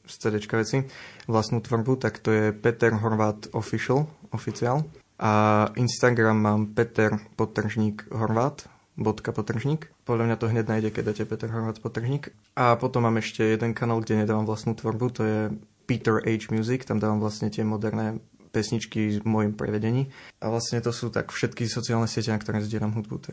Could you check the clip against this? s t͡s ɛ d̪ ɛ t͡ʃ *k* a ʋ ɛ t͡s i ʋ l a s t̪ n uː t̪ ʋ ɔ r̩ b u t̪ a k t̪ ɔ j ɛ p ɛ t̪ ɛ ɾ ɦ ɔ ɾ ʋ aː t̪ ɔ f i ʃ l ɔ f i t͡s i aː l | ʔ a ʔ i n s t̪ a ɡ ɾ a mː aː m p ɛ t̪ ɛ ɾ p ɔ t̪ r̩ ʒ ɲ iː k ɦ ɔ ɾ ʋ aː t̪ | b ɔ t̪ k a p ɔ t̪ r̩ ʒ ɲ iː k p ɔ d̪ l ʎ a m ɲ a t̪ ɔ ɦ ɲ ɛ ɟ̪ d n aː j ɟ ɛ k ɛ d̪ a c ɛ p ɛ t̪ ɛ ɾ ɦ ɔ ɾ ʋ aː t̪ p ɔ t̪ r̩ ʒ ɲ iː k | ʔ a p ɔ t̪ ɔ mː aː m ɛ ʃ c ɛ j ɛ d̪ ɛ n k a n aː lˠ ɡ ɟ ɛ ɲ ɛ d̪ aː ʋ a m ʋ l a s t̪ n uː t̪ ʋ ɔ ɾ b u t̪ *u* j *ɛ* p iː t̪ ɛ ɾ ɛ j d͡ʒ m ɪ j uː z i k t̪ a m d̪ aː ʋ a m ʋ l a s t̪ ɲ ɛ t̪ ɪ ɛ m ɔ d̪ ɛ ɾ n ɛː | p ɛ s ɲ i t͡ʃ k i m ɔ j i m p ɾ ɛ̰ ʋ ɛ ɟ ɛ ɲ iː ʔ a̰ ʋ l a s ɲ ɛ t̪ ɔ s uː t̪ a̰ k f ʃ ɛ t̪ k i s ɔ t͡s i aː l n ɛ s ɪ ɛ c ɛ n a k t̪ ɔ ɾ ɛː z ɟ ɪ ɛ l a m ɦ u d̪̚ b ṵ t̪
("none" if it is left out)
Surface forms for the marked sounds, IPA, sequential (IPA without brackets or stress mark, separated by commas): k, ɔ, ɛ